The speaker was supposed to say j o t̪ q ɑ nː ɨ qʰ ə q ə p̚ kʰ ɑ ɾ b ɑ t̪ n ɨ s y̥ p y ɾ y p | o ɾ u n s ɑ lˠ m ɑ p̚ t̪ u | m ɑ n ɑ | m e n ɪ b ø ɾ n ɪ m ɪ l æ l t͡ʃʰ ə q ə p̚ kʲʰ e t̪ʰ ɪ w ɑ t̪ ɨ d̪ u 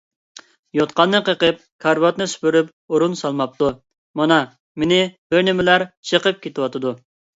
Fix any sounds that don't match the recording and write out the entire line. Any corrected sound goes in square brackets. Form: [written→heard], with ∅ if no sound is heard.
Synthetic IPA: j o t̪ q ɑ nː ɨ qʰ ə q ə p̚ kʰ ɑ ɾ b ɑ t̪ n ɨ s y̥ p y ɾ y p | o ɾ u n s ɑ lˠ m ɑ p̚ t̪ u | m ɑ n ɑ | m e n ɪ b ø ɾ n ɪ m ɪ l æ [l→ɾ] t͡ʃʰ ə q ə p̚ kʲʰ e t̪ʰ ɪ w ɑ t̪ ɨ d̪ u